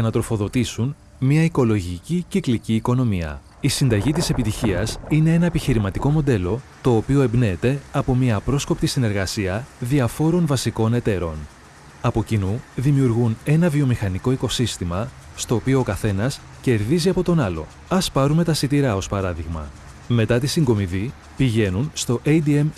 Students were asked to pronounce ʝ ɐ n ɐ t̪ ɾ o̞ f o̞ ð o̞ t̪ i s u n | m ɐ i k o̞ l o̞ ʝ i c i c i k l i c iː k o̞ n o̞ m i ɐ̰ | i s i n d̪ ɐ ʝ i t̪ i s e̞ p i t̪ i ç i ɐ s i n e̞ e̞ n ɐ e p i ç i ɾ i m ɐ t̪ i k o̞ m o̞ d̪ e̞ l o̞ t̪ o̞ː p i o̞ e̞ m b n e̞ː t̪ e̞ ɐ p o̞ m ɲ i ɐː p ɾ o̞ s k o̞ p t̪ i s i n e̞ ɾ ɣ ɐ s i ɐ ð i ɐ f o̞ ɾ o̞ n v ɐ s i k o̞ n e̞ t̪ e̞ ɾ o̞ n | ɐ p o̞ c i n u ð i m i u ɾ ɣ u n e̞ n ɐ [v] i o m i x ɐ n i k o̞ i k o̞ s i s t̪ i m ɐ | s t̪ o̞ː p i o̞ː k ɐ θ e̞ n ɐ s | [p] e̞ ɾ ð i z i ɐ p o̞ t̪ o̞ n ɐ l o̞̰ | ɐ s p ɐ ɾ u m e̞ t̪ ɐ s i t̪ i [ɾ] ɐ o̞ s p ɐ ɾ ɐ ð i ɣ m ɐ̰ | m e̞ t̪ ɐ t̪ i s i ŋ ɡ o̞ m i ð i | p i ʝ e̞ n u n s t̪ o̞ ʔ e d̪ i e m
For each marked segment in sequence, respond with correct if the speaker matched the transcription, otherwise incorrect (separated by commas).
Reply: correct, incorrect, correct